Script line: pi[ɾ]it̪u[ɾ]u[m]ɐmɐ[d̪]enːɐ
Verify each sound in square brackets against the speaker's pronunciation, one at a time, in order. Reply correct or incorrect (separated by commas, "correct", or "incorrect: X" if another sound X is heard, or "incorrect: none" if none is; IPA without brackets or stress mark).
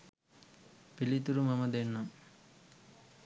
incorrect: l, correct, correct, correct